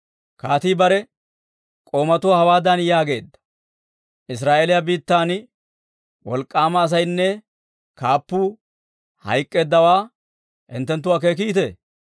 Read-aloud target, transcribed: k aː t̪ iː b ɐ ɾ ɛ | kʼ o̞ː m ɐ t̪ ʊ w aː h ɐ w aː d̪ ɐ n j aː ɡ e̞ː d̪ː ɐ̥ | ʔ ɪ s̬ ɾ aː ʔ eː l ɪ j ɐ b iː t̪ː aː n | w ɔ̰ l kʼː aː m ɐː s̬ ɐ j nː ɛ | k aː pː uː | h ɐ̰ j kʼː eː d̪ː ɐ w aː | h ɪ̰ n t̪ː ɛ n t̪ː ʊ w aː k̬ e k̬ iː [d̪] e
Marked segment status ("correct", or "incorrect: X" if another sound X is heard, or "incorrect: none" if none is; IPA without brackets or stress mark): incorrect: t̪